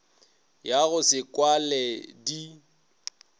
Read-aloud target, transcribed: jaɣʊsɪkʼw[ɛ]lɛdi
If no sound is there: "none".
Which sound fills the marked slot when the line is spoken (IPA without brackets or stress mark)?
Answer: a